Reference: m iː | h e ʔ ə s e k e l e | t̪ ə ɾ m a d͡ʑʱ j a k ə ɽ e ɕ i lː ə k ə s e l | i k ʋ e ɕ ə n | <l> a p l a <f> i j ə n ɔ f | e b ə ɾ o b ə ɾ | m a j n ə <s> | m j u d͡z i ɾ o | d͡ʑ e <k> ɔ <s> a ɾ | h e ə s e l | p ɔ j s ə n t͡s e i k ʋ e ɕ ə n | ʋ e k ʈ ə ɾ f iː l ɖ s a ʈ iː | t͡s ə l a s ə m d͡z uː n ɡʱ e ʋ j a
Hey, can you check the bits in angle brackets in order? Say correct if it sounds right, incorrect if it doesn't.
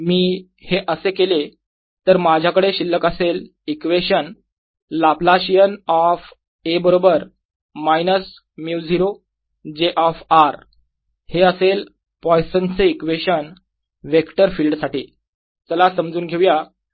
correct, incorrect: ɕ, correct, incorrect: ʔ, incorrect: f

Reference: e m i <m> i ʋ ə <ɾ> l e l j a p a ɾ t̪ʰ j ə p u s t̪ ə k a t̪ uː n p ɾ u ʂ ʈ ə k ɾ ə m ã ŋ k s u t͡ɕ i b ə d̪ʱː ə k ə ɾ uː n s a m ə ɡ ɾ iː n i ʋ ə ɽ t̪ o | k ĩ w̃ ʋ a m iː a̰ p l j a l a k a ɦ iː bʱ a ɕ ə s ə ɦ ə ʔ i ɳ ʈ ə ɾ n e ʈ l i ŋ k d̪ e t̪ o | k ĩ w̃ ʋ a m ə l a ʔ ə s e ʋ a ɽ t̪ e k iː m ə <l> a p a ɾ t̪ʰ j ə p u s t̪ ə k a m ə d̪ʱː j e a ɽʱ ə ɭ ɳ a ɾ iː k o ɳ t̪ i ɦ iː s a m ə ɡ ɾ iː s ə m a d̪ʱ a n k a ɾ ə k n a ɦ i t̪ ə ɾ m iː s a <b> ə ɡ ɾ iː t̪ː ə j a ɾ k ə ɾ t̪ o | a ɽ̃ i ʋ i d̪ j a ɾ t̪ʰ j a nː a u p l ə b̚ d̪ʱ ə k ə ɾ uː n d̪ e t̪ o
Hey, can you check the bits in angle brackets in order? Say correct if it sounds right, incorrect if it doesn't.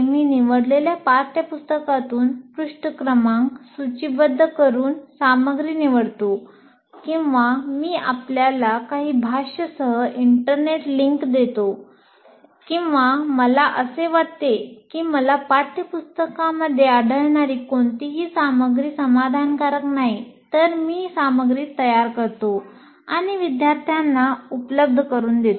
incorrect: n, incorrect: ɽ, correct, incorrect: m

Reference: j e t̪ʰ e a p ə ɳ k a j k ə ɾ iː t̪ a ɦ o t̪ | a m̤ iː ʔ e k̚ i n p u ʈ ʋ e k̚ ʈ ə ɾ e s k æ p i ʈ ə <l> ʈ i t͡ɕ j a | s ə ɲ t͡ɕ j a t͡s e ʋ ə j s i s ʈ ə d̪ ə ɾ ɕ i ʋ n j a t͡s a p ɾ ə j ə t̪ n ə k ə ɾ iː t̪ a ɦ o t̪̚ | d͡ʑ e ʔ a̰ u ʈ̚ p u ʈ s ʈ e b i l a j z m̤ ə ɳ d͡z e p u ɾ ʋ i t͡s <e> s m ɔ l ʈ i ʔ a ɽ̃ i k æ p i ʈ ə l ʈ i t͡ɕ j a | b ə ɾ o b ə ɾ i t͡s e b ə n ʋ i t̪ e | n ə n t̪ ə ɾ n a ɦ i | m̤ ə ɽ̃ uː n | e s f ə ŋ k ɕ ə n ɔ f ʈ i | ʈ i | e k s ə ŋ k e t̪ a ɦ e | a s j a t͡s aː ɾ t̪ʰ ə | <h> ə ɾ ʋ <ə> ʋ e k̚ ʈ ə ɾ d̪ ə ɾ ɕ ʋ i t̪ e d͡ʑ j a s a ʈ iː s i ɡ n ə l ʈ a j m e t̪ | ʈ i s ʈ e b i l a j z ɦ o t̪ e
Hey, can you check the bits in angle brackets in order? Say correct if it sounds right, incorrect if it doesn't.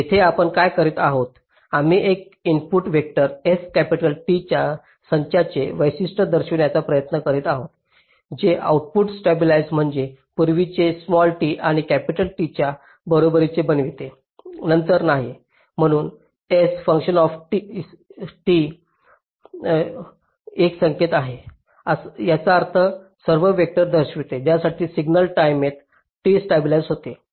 correct, correct, incorrect: s, correct

